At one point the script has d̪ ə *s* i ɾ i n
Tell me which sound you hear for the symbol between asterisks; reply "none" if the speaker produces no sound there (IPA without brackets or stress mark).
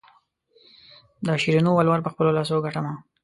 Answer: ʃ